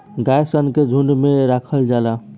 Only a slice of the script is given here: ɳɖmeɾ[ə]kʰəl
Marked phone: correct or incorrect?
incorrect